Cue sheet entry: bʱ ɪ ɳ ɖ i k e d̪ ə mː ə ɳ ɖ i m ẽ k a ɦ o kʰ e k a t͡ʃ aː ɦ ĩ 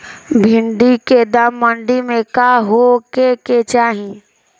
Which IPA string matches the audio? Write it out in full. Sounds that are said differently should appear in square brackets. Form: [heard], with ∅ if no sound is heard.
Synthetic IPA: bʱ ɪ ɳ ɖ i k e d̪ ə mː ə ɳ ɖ i m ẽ k a ɦ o [k] e k [e] t͡ʃ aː ɦ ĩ